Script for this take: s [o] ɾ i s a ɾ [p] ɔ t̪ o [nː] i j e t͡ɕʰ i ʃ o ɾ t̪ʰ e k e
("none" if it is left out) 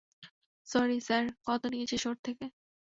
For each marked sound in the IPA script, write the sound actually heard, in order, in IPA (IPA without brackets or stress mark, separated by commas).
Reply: ɔ, k, n